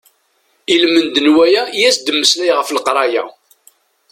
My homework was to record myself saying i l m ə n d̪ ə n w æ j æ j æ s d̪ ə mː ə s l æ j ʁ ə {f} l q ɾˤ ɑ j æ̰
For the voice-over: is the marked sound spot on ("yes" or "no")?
yes